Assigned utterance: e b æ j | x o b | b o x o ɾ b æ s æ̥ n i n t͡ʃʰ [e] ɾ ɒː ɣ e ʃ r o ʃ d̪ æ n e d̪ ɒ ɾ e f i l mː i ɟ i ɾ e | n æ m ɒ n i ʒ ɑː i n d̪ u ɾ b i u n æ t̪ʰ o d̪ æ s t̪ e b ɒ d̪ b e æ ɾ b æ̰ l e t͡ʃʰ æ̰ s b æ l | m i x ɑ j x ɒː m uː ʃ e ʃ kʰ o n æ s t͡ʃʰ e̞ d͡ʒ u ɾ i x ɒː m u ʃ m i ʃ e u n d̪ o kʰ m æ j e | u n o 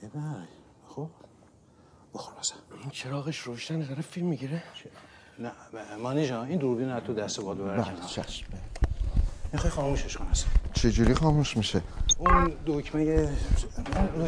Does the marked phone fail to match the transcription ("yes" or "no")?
no